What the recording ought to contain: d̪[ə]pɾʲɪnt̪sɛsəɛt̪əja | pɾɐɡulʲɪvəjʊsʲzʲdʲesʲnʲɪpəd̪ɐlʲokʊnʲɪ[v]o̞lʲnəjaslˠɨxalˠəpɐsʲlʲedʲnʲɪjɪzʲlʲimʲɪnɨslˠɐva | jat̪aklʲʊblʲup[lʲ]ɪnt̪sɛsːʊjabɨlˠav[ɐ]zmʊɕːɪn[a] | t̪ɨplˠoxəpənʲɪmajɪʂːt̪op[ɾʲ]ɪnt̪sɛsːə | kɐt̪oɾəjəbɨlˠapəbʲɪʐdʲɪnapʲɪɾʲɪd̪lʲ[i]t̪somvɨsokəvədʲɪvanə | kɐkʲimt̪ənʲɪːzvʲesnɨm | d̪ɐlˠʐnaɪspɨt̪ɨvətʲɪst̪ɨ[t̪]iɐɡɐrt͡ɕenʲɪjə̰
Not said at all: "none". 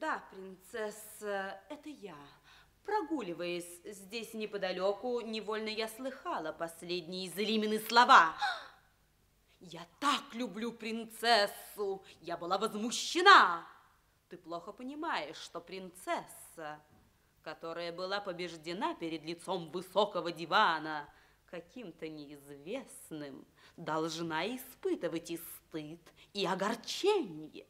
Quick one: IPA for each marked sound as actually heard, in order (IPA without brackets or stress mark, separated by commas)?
a, v, ɾʲ, ə, a, ɾʲ, ɪ, t̪